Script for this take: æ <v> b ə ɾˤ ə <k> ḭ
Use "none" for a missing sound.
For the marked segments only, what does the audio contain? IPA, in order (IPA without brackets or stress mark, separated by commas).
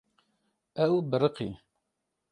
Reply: w, q